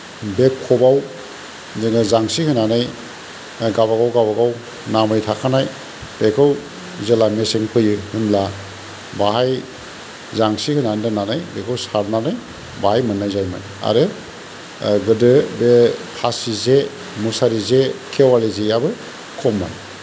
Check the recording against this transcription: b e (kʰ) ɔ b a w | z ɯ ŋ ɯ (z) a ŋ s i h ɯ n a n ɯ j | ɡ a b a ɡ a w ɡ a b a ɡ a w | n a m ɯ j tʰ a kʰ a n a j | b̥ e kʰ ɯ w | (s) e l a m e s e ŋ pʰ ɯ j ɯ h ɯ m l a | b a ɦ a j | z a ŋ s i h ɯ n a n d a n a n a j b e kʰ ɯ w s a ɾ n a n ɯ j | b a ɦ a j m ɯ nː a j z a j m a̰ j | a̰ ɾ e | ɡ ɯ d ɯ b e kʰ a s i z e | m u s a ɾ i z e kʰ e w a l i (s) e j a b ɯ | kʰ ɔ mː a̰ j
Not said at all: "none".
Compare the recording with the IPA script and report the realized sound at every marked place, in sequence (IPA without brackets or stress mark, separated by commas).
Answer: kʰ, z, z, z